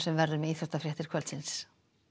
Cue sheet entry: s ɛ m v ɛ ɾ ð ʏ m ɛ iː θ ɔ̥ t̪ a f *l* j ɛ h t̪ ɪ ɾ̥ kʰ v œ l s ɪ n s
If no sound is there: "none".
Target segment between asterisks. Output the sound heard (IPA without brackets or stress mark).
ɾ